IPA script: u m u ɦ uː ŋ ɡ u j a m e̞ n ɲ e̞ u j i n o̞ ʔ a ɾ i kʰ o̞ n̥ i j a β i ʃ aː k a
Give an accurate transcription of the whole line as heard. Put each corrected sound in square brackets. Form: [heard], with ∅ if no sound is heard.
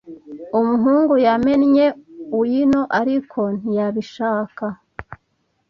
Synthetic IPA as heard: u m u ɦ uː ŋ ɡ u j a m e̞ n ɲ e̞ u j i n o̞ ʔ a ɾ i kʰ o̞ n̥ i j a β i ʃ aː k a